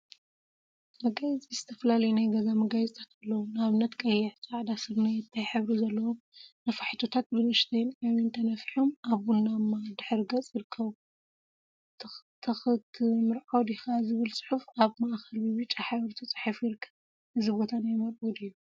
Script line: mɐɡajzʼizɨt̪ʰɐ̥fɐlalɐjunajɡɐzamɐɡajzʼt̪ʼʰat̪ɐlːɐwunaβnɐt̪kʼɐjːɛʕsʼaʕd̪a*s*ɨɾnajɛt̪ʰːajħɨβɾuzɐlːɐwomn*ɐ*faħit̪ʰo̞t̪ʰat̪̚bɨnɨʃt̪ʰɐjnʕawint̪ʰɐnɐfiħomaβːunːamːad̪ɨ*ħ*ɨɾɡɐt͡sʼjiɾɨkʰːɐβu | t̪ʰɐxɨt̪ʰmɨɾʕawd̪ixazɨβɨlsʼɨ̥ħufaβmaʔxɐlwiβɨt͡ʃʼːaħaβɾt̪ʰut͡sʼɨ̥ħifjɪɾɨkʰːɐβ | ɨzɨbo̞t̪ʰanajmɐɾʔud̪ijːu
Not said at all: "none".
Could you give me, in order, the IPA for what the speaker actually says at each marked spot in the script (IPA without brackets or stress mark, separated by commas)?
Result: s, ɐ, ħ